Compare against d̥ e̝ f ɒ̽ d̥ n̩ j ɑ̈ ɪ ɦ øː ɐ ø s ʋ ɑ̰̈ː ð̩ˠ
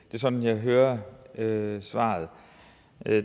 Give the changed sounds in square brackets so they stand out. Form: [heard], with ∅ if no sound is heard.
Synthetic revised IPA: d̥ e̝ [s] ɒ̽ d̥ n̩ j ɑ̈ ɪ ɦ øː ɐ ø s ʋ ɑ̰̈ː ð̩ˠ